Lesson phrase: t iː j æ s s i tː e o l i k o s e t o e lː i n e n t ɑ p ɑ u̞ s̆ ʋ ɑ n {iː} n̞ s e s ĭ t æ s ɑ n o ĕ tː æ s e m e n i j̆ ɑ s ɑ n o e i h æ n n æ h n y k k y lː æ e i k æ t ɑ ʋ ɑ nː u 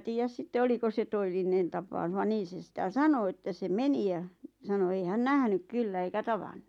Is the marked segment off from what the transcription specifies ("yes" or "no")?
no